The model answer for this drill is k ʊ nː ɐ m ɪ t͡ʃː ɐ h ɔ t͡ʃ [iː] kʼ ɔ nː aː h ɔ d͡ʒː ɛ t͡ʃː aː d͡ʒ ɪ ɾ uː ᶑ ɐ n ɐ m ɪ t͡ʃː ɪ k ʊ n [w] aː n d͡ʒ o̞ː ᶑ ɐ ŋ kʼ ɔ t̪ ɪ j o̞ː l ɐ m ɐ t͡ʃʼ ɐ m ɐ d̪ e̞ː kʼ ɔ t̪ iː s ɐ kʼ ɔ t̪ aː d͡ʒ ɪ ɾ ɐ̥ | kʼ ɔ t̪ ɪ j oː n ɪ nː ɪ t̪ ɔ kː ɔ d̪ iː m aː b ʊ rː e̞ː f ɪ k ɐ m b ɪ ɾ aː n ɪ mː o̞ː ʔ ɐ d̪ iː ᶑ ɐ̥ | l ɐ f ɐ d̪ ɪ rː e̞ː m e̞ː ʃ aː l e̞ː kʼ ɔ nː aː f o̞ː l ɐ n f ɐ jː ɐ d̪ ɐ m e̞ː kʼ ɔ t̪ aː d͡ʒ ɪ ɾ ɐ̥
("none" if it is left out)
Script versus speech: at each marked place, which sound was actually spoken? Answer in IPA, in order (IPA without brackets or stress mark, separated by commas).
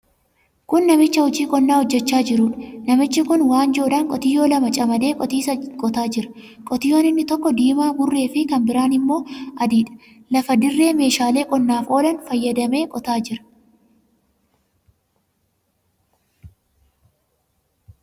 iː, w